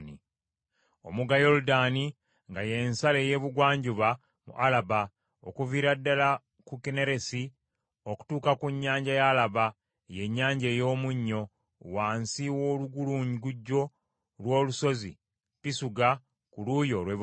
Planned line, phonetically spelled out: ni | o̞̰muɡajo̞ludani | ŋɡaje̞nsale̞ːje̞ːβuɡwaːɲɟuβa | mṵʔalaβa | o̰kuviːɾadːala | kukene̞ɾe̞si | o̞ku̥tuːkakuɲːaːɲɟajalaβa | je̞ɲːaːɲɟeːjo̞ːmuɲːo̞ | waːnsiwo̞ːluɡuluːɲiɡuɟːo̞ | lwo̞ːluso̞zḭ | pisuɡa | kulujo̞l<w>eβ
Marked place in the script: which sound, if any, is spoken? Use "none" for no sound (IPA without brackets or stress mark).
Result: w